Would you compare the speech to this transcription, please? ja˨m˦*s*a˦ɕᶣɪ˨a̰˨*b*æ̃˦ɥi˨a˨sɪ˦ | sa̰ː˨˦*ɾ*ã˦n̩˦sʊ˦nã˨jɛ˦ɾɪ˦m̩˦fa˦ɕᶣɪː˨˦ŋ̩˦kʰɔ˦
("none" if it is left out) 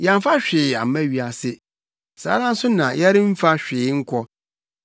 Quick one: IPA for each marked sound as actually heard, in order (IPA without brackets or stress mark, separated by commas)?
f, m, ɾ